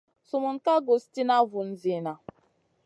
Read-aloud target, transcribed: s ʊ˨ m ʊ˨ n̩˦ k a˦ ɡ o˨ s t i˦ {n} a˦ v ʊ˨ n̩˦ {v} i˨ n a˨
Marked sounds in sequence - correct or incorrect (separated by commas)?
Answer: correct, incorrect